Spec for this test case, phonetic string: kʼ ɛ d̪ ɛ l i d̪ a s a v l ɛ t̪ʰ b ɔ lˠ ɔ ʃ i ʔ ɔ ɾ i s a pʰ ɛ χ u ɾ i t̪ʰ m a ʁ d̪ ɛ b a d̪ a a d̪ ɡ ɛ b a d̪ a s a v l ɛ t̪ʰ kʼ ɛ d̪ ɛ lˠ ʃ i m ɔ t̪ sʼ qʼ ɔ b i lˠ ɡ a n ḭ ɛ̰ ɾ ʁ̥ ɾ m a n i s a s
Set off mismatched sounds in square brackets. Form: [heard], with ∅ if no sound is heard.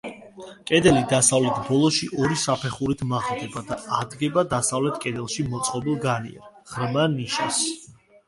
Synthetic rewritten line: kʼ ɛ d̪ ɛ l i d̪ a s a v l ɛ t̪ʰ b ɔ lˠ ɔ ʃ i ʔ ɔ ɾ i s a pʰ ɛ χ u ɾ i t̪ʰ m a ʁ d̪ ɛ b a d̪ a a d̪ ɡ ɛ b a d̪ a s a v l ɛ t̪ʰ kʼ ɛ d̪ ɛ lˠ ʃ i m ɔ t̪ sʼ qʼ ɔ b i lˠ ɡ a n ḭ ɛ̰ ɾ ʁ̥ ɾ m a n i [ʃ] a s

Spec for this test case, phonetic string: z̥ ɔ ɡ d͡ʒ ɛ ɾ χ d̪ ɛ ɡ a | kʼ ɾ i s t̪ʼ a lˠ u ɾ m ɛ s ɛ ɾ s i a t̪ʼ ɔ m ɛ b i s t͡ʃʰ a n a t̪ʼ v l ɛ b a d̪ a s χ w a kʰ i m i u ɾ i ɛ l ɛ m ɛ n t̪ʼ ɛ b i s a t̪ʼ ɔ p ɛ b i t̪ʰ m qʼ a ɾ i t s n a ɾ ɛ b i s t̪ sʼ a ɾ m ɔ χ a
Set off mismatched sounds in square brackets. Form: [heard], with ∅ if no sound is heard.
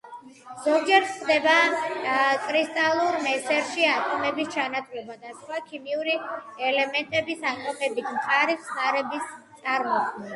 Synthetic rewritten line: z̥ ɔ ɡ d͡ʒ ɛ ɾ χ d̪ ɛ [b] a | kʼ ɾ i s t̪ʼ a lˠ u ɾ m ɛ s ɛ ɾ [ʃ] i a t̪ʼ ɔ m ɛ b i s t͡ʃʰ a n a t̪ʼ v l ɛ b a d̪ a s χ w a kʰ i m i u ɾ i ɛ l ɛ m ɛ n t̪ʼ ɛ b i s a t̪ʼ ɔ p ɛ b i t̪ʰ m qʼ a ɾ i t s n a ɾ ɛ b i s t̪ sʼ a ɾ m ɔ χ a

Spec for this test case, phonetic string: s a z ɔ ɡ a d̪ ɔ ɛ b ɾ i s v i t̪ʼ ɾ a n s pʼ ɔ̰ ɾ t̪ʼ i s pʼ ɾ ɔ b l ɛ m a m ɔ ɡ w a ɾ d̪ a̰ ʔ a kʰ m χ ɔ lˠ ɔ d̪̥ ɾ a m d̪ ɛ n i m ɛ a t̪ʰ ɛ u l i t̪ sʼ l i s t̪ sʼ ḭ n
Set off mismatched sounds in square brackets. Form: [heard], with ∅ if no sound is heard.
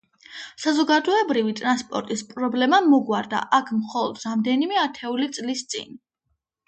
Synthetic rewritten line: s a z ɔ ɡ a d̪ ɔ ɛ b ɾ i [∅] v i t̪ʼ ɾ a n s pʼ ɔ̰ ɾ t̪ʼ i s pʼ ɾ ɔ b l ɛ m a m ɔ ɡ w a ɾ d̪ a̰ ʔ a kʰ m χ ɔ lˠ ɔ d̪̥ ɾ a m d̪ ɛ n i m ɛ a t̪ʰ ɛ u l i t̪ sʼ l i s t̪ sʼ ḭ n

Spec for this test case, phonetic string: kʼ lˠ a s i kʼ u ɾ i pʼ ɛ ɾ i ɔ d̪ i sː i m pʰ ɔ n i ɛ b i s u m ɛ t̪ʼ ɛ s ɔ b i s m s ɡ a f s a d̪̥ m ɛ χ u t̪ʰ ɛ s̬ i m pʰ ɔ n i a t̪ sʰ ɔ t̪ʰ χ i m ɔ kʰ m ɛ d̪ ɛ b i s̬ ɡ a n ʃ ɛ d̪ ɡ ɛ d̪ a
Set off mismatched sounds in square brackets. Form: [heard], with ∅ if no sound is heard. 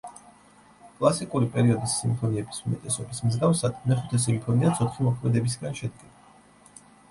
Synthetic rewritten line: kʼ lˠ a s i kʼ u ɾ i pʼ ɛ ɾ i ɔ d̪ i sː i m pʰ ɔ n i ɛ b i s u m ɛ t̪ʼ ɛ s ɔ b i s m [z] ɡ a f s a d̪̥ m ɛ χ u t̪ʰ ɛ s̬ i m pʰ ɔ n i a t̪ sʰ ɔ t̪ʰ χ i m ɔ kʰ m ɛ d̪ ɛ b i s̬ ɡ a n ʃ ɛ d̪ ɡ ɛ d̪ a

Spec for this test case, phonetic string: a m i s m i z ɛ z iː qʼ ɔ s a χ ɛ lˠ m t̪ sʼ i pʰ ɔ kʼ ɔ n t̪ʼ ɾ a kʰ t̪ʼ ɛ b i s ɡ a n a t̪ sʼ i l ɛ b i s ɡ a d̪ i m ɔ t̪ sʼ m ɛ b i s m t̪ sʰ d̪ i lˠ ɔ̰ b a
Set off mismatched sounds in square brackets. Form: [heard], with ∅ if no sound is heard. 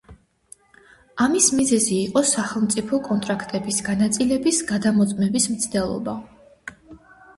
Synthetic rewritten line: a m i s m i z ɛ z iː qʼ ɔ s a χ ɛ lˠ m t̪ sʼ i pʰ ɔ kʼ ɔ n t̪ʼ ɾ a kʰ t̪ʼ ɛ b i s ɡ a n a t̪ sʼ i l ɛ b i s ɡ a d̪ [a] m ɔ t̪ sʼ m ɛ b i s m t̪ sʰ d̪ [ɛ] lˠ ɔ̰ b a

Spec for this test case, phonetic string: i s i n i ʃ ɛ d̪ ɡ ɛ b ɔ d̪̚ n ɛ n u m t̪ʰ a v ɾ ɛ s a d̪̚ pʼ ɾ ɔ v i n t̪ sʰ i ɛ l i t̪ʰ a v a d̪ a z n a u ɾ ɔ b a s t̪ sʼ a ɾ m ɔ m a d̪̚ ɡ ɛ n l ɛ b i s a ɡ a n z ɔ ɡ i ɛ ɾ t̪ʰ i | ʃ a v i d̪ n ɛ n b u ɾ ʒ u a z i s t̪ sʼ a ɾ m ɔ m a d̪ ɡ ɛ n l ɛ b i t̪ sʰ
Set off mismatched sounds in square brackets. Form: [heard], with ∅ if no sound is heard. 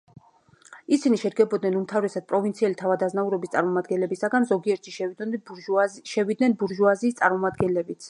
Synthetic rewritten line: i s i n i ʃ ɛ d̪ ɡ ɛ b ɔ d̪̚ n ɛ n u m t̪ʰ a v ɾ ɛ s a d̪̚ pʼ ɾ ɔ v i n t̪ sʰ i ɛ l i t̪ʰ a v a d̪ a z n a u ɾ ɔ b [i] s t̪ sʼ a ɾ m ɔ m a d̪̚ ɡ ɛ n l ɛ b i s a ɡ a n z ɔ ɡ i ɛ ɾ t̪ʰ i | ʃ [ɛ] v i d̪ n ɛ n b u ɾ ʒ u a z [iː] s t̪ sʼ a ɾ m ɔ m a d̪ ɡ ɛ n l ɛ b i t̪ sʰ

